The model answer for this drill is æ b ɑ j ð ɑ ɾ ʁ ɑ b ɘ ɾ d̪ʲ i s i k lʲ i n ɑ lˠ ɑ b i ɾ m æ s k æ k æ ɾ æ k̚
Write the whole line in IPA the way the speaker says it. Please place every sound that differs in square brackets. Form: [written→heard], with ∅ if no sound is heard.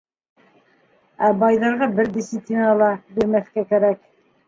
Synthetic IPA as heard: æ b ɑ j ð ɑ ɾ ʁ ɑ b ɘ ɾ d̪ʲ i s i [k→p] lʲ i n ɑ lˠ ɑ b i ɾ m æ [s→θ] k æ k æ ɾ æ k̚